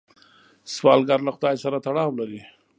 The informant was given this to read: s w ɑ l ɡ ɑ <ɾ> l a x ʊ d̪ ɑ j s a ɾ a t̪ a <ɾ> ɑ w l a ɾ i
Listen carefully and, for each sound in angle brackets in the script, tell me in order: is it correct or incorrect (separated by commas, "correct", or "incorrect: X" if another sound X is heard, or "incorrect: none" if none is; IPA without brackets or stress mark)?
correct, incorrect: ɽ